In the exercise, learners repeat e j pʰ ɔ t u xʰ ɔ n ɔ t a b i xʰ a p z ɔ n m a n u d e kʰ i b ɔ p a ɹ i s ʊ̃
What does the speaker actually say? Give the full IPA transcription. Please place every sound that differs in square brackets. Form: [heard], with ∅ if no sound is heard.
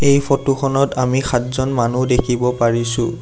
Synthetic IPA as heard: e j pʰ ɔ t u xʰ ɔ n ɔ t a [m] i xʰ a [t] z ɔ n m a n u d e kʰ i b ɔ p a ɹ i s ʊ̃